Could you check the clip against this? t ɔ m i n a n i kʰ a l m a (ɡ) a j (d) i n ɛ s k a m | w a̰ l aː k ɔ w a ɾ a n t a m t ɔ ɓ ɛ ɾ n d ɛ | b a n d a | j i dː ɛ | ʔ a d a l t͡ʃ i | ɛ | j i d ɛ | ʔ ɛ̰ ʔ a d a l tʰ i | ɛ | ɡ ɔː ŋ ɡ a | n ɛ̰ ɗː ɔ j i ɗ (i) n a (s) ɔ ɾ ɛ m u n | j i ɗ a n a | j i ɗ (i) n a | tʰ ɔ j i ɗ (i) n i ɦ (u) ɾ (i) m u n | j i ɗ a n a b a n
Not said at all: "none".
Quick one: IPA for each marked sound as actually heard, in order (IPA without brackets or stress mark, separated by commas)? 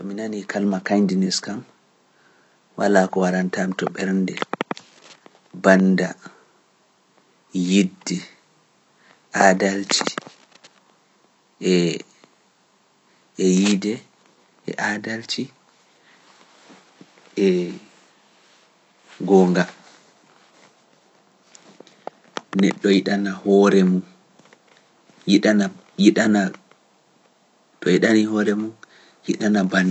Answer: k, d, a, h, a, a, ɔ, ɛ